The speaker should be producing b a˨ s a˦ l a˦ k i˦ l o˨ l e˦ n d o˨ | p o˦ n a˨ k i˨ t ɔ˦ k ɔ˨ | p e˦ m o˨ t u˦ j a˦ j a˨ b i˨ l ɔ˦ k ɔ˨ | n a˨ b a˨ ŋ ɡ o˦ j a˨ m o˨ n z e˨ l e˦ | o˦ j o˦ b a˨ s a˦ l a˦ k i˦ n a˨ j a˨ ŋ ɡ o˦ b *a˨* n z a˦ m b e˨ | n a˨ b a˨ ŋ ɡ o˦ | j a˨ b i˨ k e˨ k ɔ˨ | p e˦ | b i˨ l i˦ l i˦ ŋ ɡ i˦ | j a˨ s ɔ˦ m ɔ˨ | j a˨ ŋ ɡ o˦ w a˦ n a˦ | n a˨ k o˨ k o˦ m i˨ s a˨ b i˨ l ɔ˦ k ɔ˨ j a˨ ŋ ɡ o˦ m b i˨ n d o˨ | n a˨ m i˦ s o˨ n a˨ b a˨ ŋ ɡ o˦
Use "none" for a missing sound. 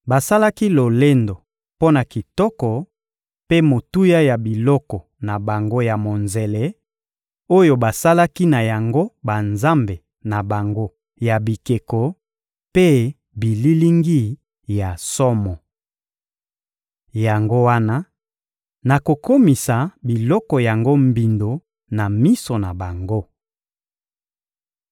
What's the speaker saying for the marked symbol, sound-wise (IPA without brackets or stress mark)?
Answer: a˨